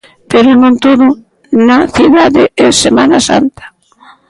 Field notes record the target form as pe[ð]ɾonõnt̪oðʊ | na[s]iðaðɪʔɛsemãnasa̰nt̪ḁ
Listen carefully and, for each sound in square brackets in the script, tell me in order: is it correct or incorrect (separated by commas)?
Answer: incorrect, incorrect